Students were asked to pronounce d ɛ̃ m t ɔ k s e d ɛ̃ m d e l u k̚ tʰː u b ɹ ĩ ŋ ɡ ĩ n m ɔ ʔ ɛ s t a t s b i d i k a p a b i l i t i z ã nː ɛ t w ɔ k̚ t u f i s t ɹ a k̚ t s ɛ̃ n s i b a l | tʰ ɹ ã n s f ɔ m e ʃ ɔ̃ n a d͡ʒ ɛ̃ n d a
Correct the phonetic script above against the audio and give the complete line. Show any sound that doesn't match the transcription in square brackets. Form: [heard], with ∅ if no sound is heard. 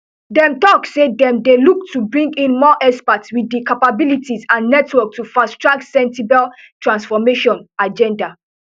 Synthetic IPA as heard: d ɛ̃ m t ɔ k s e d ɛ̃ m d e l u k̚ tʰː u b ɹ ĩ ŋ ɡ ĩ n m ɔ ʔ ɛ s [p] a t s [w] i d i k a p a b i l i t i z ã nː ɛ t w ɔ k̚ t u f [a] s t ɹ a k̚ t s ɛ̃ n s i b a l | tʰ ɹ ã n s f ɔ m e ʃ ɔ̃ n a d͡ʒ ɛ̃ n d a